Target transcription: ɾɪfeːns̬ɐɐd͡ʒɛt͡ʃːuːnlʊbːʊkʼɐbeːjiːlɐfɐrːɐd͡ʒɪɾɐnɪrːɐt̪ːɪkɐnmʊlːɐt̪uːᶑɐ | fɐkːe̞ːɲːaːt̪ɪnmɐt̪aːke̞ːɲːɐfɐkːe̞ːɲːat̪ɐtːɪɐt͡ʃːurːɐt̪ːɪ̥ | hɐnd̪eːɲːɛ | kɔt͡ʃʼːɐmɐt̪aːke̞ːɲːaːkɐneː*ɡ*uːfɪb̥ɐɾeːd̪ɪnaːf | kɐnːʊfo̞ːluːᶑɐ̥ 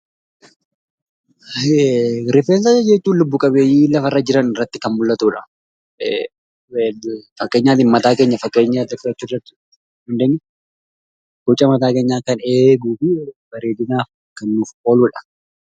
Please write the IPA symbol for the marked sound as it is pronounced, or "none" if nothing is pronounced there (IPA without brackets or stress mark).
ɡ